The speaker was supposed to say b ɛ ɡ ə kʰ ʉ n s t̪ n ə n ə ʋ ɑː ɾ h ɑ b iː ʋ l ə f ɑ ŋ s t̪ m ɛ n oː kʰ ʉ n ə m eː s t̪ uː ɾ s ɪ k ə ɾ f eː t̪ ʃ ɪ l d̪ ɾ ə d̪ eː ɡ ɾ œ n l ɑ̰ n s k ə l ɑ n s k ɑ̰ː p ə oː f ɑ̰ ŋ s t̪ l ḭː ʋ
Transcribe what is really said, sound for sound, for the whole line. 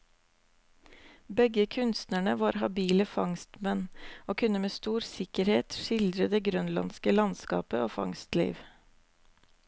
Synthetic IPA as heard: b ɛ ɡ ə kʰ ʉ n s t̪ n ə ɳ ə ʋ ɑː ɾ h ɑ b iː l ə f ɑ ŋ s t̪ m ɛ n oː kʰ ʉ n ə m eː s t̪ uː ɾ s ɪ k ə ɾ h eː t̪ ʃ ɪ l d̪ ɾ ə d̪ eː ɡ ɾ œ n l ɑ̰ n s k ə l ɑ n s k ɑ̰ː p ə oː f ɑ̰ ŋ s t̪ l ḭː ʋ